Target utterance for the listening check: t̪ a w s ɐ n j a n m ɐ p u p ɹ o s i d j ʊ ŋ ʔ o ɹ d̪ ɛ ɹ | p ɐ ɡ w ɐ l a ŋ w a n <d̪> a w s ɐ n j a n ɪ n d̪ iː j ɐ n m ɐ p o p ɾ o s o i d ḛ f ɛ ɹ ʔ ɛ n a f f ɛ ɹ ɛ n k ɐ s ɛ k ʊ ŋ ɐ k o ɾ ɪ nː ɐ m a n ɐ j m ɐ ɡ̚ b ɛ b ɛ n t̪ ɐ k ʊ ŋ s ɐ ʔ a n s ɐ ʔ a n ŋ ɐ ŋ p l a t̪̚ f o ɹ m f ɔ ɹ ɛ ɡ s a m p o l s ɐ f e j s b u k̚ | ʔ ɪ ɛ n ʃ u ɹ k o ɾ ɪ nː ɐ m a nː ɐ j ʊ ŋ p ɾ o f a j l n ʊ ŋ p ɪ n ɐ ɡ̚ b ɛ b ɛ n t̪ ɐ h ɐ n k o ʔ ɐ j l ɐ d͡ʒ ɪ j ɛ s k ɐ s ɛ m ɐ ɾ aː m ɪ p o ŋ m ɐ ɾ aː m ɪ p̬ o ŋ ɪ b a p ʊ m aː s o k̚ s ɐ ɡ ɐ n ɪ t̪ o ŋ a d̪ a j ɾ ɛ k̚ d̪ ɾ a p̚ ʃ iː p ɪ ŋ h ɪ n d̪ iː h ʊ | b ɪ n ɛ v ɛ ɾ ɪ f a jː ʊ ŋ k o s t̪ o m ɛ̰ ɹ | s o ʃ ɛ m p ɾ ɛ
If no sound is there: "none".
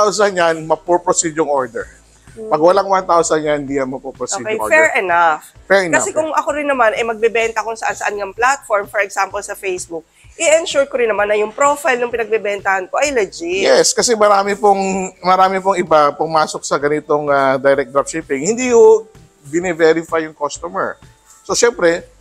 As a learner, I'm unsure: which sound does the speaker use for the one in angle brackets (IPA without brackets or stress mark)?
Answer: t̪